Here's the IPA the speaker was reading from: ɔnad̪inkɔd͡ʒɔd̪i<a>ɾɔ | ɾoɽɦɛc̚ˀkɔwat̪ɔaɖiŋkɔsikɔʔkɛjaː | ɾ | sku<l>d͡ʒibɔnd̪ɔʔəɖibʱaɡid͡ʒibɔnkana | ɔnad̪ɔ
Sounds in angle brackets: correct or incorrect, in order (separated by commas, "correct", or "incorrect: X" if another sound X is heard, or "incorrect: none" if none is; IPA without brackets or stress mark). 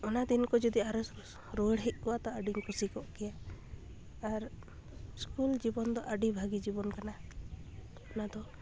correct, correct